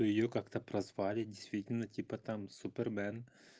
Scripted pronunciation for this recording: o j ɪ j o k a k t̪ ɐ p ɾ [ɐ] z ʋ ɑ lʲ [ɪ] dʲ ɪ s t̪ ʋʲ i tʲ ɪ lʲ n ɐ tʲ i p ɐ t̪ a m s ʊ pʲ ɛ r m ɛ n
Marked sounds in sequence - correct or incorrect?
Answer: correct, correct

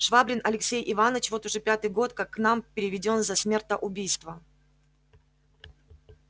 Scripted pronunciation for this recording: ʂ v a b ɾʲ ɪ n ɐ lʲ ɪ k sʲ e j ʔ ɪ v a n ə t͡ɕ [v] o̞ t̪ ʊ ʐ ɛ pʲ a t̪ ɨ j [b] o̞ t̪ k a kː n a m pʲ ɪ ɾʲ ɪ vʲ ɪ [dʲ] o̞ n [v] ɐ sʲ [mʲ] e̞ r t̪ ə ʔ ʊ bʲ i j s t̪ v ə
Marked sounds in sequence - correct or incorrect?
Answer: correct, incorrect: ɡ, correct, incorrect: z, correct

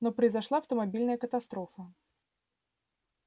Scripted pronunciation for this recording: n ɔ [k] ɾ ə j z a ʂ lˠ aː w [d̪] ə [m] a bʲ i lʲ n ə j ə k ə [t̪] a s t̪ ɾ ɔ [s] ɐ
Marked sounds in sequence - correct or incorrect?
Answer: incorrect: p, incorrect: t̪, correct, correct, incorrect: f

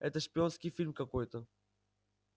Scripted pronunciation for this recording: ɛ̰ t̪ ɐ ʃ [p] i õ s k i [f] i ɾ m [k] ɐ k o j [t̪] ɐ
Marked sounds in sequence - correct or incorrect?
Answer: correct, correct, correct, correct

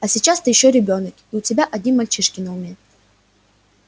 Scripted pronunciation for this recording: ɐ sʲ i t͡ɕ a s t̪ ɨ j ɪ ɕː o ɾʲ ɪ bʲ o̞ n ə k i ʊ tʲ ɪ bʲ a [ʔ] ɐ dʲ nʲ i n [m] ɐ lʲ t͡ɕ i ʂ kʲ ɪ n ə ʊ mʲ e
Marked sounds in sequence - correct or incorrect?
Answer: correct, correct

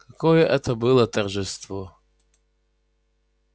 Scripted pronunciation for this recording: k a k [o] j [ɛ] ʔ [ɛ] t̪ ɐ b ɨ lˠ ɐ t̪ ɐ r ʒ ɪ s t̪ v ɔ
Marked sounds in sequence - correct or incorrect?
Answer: incorrect: ɔ, correct, correct

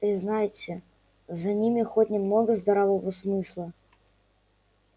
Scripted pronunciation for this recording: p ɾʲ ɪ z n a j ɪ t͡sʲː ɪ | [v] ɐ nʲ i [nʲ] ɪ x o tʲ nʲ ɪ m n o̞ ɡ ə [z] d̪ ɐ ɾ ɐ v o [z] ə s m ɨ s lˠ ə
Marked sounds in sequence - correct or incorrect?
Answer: incorrect: z, incorrect: mʲ, correct, incorrect: v

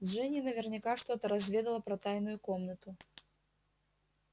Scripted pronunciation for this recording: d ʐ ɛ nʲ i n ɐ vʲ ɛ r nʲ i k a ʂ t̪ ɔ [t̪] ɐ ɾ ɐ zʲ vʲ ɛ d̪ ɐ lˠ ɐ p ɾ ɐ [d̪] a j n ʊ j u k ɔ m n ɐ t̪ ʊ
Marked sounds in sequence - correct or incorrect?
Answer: correct, incorrect: t̪

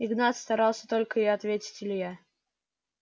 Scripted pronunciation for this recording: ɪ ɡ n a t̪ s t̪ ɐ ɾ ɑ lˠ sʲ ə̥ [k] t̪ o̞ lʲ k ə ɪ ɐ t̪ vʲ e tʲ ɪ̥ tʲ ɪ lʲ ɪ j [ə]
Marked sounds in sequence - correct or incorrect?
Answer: incorrect: none, incorrect: a

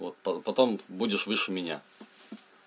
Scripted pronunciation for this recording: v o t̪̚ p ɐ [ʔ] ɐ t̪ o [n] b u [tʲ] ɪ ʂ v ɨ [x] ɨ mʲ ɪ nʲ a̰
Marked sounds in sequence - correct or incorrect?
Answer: incorrect: p, incorrect: m, incorrect: dʲ, incorrect: ʂ

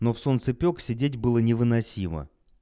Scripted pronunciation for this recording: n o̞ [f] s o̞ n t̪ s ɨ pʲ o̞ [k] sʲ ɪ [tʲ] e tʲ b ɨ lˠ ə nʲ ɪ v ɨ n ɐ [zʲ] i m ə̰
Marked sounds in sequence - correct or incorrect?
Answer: correct, correct, incorrect: dʲ, incorrect: sʲ

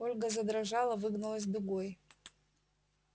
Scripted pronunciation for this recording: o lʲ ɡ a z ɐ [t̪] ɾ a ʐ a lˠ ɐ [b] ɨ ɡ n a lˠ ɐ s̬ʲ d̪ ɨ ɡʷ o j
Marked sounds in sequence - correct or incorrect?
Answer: incorrect: d̪, incorrect: v

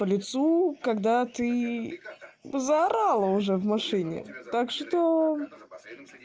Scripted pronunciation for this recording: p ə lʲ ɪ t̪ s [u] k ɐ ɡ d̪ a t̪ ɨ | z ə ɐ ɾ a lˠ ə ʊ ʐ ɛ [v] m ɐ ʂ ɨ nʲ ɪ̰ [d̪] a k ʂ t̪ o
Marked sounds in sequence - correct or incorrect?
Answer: correct, correct, incorrect: t̪

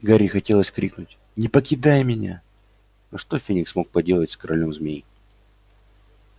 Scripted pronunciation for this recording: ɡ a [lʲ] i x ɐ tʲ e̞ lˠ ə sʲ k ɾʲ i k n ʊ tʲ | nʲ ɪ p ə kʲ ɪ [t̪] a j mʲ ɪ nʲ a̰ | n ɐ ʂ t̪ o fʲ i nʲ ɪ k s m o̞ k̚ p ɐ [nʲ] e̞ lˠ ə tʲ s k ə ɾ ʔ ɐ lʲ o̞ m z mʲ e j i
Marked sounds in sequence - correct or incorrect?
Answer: incorrect: ɾʲ, incorrect: d̪, incorrect: dʲ

